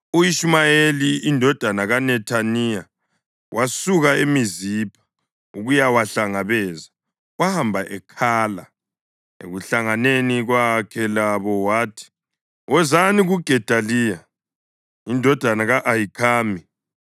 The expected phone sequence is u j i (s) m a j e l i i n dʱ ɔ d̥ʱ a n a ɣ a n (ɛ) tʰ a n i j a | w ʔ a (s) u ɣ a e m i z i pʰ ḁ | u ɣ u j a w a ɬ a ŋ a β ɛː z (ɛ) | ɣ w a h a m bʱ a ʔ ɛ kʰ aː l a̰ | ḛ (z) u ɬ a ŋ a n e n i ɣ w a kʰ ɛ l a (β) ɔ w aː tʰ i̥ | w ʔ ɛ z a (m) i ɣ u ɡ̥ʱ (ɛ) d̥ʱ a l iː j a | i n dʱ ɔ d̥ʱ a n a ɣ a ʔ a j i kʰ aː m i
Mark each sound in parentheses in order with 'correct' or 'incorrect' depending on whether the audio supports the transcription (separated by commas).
incorrect, correct, correct, incorrect, incorrect, correct, incorrect, correct